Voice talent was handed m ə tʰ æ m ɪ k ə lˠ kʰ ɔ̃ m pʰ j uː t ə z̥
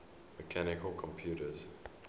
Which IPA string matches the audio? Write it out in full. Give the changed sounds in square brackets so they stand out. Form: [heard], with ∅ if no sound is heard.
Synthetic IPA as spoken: m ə [kʰ] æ [n] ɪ k ə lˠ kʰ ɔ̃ m pʰ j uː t ə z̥